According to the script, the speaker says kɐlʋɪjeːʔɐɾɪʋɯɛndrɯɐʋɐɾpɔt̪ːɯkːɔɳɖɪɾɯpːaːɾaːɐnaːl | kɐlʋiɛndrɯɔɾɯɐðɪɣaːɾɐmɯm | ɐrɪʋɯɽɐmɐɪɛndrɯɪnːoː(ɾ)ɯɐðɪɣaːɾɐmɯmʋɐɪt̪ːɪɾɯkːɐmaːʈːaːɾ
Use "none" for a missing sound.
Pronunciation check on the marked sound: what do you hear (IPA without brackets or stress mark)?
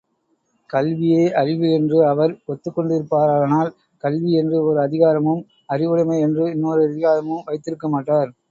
ɾ